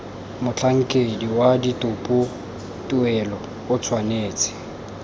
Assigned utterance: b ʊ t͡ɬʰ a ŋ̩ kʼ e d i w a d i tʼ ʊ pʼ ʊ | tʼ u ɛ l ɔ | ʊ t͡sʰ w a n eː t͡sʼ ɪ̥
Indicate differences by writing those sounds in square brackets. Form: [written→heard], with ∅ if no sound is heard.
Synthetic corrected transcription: [b→m] ʊ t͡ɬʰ a ŋ̩ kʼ e d i w a d i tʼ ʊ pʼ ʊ | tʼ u ɛ l ɔ | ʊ t͡sʰ w a n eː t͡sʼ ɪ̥